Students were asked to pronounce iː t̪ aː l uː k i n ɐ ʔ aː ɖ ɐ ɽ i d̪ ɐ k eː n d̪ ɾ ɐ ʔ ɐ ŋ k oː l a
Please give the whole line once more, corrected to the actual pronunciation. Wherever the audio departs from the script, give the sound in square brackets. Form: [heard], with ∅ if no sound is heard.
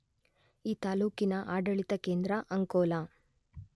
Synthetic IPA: iː t̪ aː l uː k i n ɐ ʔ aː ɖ ɐ [ɭ] i [t̪] ɐ k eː n d̪ ɾ ɐ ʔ ɐ ŋ k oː l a